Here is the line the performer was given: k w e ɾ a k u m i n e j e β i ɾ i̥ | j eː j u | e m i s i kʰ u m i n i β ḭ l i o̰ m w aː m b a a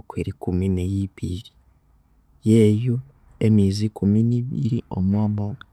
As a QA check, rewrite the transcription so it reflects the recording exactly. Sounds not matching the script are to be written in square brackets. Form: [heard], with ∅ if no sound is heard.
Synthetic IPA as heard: k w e ɾ [i] k u m i n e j [i] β i ɾ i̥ | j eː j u | e m i [z] i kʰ u m i n i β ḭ [ɾ] i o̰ m w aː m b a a